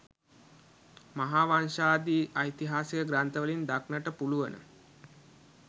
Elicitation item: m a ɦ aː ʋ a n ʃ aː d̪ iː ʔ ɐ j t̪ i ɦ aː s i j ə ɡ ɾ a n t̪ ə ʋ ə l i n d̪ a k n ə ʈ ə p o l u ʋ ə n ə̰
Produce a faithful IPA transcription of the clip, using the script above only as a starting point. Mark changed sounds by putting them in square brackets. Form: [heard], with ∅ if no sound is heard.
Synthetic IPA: m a ɦ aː ʋ a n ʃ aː d̪ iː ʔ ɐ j t̪ i ɦ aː s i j ə ɡ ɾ a n t̪ ə ʋ ə l i n d̪ a k n ə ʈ ə p [u] l u ʋ ə n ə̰